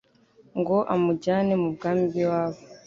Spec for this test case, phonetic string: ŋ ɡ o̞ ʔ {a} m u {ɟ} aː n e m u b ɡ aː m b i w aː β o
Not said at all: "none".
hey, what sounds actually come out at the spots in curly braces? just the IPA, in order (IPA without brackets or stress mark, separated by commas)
a, ɟ